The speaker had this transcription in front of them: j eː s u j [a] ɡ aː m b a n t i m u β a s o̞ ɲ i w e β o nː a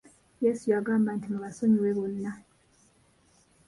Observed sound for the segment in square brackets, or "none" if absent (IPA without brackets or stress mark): a